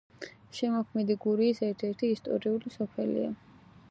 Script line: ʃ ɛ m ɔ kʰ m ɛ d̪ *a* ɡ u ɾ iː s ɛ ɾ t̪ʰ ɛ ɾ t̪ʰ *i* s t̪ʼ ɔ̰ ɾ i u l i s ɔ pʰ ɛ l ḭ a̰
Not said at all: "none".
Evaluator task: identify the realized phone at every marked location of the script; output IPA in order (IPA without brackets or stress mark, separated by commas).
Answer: i, iː